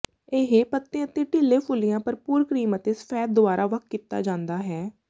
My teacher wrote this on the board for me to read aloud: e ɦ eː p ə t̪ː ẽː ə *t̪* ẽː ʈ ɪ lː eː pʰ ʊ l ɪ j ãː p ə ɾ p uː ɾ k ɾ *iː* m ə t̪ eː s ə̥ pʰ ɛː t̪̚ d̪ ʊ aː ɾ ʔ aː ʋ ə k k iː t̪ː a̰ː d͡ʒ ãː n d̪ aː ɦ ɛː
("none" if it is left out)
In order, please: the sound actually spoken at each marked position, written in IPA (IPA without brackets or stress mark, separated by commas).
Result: t̪, iː